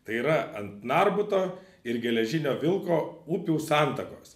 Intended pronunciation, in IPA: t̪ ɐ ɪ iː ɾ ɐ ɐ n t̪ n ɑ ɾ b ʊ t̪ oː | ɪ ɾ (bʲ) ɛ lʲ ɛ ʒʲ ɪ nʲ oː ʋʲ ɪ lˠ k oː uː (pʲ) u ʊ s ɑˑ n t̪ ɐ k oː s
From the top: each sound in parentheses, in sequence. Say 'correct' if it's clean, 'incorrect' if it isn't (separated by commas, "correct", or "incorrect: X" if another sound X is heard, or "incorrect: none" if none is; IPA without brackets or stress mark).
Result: incorrect: ɡʲ, correct